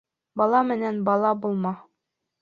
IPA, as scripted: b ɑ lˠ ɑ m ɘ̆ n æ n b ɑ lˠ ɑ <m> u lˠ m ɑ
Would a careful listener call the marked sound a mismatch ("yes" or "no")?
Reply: yes